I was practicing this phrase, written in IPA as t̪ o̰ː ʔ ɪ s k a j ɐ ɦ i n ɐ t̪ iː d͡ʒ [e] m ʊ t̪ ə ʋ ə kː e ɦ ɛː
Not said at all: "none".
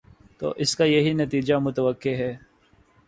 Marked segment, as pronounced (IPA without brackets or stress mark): a